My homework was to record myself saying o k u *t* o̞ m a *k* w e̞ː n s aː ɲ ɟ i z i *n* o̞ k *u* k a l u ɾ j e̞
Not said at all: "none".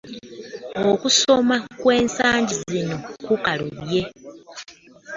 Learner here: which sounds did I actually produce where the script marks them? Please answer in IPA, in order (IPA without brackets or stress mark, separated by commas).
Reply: s, k, n, u